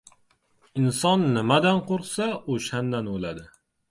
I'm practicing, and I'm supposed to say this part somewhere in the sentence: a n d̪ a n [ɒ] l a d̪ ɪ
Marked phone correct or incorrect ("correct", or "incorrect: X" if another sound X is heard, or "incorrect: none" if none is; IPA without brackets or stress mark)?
incorrect: o